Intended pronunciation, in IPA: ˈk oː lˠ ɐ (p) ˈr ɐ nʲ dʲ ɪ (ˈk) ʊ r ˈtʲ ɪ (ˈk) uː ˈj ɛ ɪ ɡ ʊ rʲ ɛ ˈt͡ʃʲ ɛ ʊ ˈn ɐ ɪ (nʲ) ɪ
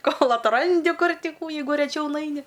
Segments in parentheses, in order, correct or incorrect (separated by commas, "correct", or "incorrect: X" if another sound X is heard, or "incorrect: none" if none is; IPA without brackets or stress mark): incorrect: t, correct, correct, correct